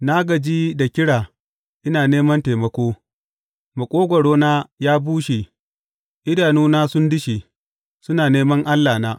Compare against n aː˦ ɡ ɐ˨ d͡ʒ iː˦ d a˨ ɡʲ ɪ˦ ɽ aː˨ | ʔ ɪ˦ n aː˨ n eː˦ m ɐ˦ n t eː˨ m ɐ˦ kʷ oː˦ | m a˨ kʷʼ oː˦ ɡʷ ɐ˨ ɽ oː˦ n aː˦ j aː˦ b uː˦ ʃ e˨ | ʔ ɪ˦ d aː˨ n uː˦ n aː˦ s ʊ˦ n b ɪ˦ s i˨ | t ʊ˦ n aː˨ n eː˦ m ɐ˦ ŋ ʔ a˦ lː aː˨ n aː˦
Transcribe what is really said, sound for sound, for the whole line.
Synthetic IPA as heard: n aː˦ ɡ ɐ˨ d͡ʒ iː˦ d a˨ kʲ ɪ˦ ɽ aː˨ | ʔ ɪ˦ n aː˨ n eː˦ m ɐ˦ n t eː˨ m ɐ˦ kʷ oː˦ | m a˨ kʷʼ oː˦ ɡʷ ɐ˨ ɽ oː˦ n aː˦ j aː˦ b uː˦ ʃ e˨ | ʔ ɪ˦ d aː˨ n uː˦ n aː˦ s ʊ˦ n d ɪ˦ ʃ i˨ | s ʊ˦ n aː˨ n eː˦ m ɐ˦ ŋ ʔ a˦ lː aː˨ n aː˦